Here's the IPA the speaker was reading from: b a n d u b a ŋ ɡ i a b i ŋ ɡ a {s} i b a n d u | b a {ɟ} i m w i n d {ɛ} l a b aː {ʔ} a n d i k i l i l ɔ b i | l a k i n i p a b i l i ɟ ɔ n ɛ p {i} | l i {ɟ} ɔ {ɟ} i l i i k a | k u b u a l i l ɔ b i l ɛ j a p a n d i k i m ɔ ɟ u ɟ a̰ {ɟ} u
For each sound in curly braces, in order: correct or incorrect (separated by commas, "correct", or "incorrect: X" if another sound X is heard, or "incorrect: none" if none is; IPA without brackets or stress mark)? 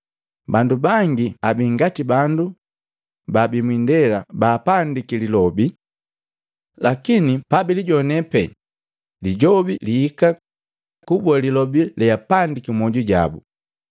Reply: incorrect: t, incorrect: b, correct, incorrect: p, incorrect: ɛ, correct, incorrect: b, incorrect: b